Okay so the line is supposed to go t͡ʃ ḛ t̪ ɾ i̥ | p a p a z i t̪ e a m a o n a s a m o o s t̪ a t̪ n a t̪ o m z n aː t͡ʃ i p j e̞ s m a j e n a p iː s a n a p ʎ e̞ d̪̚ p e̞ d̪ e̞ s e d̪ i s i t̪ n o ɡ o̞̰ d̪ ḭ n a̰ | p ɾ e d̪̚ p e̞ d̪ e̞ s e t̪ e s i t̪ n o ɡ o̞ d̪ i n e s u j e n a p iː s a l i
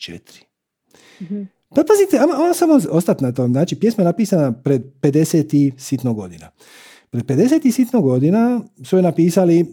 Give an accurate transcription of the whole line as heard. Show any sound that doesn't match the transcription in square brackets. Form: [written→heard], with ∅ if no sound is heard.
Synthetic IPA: t͡ʃ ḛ t̪ ɾ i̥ | p a p a z i t̪ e a m a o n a s a m o o s t̪ a t̪ n a t̪ o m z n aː t͡ʃ i p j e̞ s m a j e n a p iː s a n a p [ʎ→ɾ] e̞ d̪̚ p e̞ d̪ e̞ s e [d̪→t̪] i s i t̪ n o ɡ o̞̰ d̪ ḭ n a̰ | p ɾ e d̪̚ p e̞ d̪ e̞ s e t̪ [e→i] s i t̪ n o ɡ o̞ d̪ i n [e→a] s u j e n a p iː s a l i